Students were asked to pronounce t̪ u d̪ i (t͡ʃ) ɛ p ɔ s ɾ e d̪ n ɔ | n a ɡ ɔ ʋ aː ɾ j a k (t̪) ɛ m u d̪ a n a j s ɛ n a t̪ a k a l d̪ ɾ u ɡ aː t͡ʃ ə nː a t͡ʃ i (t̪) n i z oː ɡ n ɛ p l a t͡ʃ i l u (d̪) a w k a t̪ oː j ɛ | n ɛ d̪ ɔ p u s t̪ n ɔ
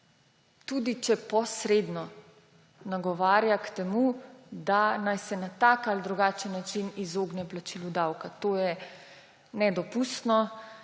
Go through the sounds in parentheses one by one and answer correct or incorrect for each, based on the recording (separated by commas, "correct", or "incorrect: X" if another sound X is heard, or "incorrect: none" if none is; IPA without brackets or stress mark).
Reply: correct, correct, incorrect: none, correct